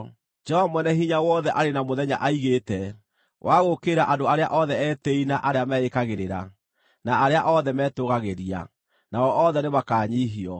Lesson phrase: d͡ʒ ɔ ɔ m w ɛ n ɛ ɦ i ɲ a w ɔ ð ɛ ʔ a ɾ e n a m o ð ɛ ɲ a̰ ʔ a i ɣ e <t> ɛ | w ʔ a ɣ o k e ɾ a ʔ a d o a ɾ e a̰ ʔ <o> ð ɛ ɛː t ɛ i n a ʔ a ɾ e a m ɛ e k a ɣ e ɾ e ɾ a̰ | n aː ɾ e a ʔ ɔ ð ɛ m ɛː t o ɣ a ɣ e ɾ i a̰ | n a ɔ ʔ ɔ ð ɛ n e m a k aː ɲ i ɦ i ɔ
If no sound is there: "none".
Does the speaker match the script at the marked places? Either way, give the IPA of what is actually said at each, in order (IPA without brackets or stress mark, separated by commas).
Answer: t, ɔ